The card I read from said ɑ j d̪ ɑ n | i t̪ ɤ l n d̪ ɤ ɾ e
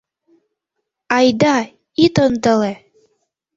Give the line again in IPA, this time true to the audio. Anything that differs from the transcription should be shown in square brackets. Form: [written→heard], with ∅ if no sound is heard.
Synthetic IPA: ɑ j d̪ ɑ [n→∅] | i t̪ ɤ [l→∅] n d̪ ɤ [ɾ→l] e